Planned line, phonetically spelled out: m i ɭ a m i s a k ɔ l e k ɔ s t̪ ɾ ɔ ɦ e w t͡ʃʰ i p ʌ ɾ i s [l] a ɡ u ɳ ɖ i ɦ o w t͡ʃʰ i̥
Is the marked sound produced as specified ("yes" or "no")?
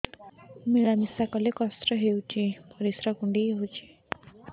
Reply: no